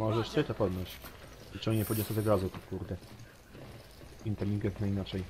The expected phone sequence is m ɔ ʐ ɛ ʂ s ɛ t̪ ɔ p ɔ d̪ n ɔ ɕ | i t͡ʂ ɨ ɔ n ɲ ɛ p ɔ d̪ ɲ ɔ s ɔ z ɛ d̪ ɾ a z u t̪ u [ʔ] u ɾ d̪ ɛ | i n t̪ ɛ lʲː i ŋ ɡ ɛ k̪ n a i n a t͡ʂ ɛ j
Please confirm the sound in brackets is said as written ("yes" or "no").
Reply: no